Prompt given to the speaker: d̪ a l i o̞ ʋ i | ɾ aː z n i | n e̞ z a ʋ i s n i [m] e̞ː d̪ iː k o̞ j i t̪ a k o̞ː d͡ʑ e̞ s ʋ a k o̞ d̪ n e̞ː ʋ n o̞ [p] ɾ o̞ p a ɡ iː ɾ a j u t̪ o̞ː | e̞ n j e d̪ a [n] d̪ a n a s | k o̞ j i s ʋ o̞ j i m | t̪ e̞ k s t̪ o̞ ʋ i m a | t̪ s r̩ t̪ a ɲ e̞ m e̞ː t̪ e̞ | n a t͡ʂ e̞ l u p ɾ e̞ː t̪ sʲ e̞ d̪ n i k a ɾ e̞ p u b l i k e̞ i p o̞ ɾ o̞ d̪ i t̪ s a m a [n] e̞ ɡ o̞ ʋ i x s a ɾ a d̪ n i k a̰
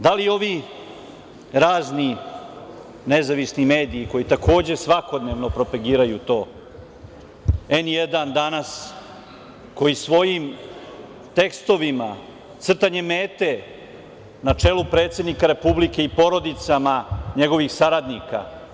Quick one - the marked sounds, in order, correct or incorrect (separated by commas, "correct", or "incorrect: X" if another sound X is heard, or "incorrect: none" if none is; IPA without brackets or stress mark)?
correct, correct, correct, incorrect: ɲ